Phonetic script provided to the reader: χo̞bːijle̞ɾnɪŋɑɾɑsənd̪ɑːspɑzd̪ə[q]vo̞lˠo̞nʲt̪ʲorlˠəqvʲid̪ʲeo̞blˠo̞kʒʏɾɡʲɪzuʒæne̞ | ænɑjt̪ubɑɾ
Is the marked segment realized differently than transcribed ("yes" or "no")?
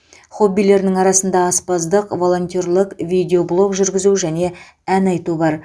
no